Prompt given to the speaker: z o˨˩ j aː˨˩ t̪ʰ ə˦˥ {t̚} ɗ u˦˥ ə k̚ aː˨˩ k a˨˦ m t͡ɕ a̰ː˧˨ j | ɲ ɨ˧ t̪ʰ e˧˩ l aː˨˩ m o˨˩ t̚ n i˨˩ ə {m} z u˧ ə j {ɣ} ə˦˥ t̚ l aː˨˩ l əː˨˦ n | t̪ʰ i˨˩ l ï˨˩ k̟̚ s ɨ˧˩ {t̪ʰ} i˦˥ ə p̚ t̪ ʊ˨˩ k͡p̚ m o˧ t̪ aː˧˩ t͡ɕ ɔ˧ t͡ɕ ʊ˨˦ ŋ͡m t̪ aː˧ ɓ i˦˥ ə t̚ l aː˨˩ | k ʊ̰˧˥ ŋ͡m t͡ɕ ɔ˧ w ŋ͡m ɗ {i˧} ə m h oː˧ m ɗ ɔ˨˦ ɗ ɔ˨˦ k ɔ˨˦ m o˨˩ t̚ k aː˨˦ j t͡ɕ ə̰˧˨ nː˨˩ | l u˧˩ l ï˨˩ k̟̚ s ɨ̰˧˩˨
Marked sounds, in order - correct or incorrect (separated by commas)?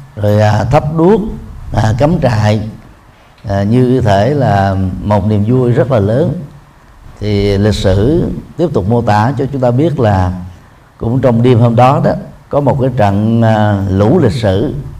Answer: incorrect, correct, incorrect, incorrect, correct